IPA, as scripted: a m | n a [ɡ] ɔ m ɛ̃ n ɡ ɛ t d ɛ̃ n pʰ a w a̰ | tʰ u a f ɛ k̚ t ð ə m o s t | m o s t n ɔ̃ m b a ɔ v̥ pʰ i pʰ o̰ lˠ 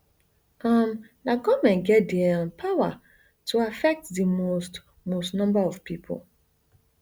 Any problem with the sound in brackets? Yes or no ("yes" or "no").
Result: no